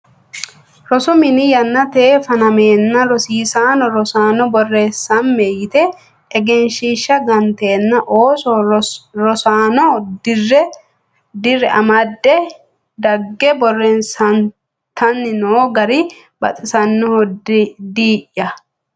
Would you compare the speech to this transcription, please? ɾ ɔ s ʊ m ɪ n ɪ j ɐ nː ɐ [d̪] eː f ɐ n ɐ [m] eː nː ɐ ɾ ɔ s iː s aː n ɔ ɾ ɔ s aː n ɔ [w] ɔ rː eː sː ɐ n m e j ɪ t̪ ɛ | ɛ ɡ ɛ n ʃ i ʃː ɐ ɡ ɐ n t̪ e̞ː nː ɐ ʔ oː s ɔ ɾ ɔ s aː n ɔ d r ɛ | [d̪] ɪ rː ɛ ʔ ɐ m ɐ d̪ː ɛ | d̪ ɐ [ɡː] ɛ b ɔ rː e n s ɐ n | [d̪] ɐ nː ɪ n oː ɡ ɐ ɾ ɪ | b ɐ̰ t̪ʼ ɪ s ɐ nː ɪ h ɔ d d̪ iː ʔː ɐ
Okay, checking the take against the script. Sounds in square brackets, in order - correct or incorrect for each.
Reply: incorrect: t̪, correct, incorrect: b, correct, correct, incorrect: t̪

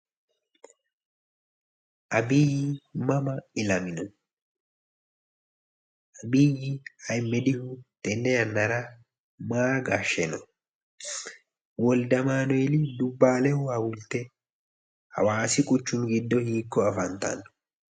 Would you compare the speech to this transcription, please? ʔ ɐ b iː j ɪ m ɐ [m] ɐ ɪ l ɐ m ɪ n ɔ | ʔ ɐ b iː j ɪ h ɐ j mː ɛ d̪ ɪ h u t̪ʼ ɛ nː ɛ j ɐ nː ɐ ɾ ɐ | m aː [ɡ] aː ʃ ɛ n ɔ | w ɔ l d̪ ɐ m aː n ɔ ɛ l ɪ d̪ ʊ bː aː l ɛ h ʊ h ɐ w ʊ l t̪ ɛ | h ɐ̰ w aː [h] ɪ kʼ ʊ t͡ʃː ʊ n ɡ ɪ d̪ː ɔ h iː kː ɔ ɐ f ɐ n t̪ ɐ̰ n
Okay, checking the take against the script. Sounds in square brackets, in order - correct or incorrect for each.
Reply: correct, correct, incorrect: s

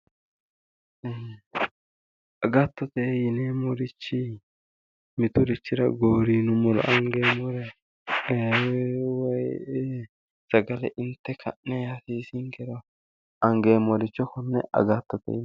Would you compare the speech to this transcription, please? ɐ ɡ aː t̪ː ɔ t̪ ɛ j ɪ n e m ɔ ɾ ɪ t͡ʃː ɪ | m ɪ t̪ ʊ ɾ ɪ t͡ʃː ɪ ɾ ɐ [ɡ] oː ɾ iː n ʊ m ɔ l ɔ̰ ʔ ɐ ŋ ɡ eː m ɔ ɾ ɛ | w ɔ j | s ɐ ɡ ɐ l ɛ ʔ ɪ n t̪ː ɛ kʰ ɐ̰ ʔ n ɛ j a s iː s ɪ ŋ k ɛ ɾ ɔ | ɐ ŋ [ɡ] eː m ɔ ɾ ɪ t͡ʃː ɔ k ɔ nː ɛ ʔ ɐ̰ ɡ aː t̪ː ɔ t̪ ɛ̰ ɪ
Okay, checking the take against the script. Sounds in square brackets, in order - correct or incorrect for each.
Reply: correct, correct

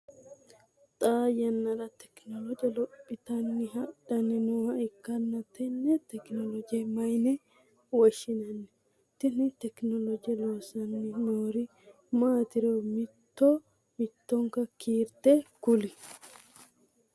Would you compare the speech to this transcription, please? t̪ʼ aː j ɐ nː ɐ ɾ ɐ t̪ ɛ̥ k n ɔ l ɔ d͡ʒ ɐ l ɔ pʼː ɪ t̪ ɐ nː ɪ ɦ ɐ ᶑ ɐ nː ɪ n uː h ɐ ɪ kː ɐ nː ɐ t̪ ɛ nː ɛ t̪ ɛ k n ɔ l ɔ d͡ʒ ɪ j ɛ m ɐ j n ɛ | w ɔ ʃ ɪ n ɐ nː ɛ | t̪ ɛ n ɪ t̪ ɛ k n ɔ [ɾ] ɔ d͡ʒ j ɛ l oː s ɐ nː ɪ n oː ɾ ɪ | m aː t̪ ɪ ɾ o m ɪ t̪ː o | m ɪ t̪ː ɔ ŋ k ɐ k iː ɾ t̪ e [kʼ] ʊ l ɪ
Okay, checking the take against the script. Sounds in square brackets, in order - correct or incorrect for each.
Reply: incorrect: l, incorrect: k

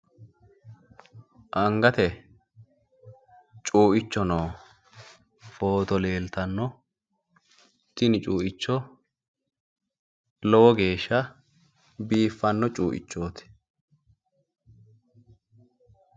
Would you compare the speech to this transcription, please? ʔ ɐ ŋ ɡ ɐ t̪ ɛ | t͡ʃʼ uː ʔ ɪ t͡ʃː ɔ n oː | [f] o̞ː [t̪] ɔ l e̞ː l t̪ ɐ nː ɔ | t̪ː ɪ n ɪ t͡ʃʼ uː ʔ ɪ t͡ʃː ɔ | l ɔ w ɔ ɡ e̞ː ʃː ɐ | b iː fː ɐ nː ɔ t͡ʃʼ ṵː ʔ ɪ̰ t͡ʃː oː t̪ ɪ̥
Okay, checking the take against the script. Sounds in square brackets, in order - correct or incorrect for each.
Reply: correct, correct

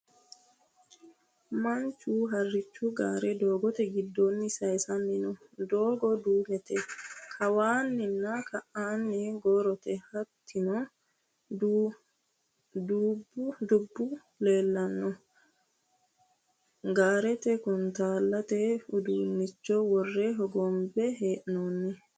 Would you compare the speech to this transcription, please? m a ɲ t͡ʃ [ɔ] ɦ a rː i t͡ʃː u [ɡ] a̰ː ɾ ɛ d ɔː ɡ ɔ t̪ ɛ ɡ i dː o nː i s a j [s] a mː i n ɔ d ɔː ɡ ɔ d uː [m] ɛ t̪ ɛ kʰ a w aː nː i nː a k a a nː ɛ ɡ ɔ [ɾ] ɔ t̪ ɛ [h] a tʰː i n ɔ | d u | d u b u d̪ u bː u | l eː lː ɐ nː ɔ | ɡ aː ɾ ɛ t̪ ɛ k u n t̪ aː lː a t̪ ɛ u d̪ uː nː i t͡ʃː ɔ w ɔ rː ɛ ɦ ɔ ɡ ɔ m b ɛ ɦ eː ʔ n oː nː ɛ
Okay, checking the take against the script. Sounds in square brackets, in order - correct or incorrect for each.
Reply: incorrect: u, correct, correct, correct, correct, correct

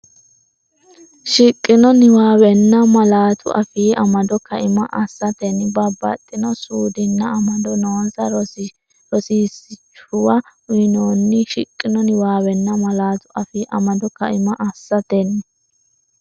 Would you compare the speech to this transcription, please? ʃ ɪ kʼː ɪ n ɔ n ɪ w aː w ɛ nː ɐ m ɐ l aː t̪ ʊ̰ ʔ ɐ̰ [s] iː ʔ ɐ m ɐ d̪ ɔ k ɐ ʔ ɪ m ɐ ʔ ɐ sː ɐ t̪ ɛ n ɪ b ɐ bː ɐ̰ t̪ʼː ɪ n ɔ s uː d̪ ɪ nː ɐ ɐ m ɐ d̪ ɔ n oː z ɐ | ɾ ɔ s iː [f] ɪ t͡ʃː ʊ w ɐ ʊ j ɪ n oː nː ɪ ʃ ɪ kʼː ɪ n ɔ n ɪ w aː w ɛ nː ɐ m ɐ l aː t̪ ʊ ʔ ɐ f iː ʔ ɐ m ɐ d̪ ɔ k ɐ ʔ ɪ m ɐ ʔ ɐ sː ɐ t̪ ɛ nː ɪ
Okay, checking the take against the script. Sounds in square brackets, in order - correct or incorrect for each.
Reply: incorrect: f, incorrect: s

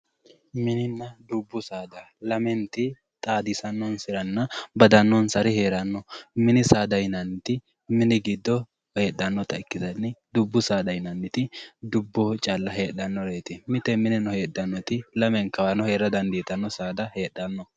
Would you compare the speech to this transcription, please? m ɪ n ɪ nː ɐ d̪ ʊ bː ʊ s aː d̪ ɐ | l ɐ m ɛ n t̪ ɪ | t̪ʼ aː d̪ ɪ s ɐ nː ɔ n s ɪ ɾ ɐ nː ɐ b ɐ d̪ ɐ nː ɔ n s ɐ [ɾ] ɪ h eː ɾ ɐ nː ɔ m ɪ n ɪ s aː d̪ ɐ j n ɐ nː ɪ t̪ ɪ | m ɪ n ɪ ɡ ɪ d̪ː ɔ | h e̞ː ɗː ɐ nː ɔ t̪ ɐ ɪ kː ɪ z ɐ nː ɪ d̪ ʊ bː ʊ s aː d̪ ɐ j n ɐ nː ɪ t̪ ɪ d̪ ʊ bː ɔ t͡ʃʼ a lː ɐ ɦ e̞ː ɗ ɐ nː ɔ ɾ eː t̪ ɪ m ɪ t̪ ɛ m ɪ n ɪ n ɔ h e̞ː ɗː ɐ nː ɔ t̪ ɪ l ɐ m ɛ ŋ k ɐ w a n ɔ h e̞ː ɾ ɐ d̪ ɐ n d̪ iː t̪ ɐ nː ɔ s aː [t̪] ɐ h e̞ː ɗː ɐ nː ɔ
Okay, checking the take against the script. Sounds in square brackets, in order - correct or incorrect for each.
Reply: correct, incorrect: d̪

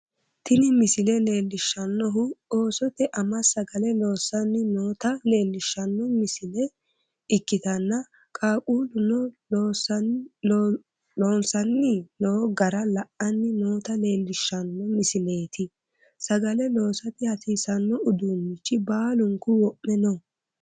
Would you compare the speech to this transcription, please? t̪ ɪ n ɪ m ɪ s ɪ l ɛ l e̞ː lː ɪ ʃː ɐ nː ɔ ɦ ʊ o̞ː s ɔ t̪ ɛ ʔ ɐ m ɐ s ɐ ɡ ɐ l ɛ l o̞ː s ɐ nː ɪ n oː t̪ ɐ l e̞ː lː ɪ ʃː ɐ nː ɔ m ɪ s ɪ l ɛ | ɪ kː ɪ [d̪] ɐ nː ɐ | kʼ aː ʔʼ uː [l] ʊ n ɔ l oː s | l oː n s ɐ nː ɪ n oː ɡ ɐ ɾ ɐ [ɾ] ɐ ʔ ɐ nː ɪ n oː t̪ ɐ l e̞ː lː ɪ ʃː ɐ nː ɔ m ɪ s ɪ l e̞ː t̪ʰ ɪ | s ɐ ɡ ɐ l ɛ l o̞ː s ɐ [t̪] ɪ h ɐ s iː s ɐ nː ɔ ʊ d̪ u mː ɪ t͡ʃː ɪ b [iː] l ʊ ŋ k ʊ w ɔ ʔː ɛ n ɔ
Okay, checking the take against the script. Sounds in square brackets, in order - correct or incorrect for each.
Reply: incorrect: t̪, correct, incorrect: l, correct, incorrect: aː

